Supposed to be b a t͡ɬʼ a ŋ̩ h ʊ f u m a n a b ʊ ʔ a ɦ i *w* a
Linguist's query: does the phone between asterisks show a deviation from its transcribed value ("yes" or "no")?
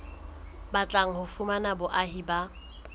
yes